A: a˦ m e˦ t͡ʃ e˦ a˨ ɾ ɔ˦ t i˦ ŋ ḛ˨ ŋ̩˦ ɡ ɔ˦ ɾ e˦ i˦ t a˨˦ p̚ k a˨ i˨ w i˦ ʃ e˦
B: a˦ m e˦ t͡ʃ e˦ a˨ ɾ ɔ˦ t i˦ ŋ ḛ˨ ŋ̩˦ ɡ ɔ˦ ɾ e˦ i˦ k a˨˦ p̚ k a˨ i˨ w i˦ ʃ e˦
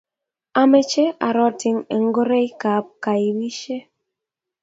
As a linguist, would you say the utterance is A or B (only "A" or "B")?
B